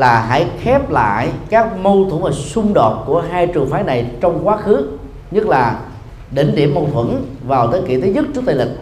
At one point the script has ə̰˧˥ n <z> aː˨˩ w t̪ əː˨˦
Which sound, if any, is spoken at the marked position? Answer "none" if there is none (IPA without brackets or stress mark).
v